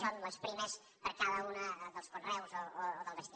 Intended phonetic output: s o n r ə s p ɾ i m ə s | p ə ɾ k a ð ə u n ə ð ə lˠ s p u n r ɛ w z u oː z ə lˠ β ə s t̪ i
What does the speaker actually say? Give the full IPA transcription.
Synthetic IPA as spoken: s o n l ə s p ɾ i m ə s | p ə ɾ k a ð ə u n ə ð ə lˠ s k u n r ɛ w z o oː ð ə lˠ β ə s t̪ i